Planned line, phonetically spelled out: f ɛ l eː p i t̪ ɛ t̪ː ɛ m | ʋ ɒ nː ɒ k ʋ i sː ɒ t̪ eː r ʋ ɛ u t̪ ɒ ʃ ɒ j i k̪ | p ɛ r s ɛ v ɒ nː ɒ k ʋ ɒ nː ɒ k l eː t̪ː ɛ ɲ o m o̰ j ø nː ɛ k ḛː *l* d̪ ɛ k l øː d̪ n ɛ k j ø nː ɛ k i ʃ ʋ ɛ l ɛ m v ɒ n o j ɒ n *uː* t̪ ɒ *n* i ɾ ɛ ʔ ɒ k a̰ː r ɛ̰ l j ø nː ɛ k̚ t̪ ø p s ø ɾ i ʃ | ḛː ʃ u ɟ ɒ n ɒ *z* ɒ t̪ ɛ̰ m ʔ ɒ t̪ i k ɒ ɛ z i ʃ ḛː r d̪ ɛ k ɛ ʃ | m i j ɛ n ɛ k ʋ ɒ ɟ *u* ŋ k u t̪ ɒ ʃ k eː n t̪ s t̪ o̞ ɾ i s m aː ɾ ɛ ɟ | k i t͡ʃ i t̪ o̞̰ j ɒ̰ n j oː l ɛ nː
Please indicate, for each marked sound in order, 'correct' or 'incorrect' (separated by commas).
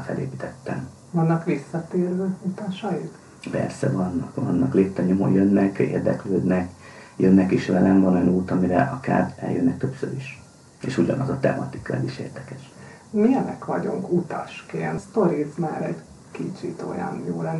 incorrect, correct, incorrect, correct, correct